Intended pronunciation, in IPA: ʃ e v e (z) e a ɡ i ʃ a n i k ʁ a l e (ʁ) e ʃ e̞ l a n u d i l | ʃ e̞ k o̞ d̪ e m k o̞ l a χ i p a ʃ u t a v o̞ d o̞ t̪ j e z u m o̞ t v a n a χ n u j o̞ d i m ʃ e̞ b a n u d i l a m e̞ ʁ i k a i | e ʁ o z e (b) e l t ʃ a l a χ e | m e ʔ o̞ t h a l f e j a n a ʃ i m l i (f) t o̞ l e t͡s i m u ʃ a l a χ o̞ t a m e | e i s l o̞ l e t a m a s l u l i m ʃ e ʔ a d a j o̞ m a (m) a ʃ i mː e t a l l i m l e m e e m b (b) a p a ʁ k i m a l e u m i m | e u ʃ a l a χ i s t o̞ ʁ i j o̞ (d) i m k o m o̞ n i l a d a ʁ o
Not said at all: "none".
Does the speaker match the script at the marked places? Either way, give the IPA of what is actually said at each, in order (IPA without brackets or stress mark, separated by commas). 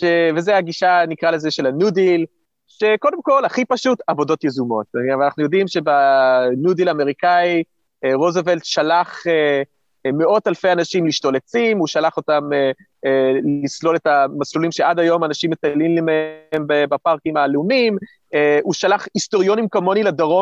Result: z, z, v, ʃ, n, b, n